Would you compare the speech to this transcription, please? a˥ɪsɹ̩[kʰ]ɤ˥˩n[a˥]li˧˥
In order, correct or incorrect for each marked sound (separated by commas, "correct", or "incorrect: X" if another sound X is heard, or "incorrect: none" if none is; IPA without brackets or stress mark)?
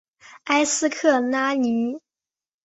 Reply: correct, correct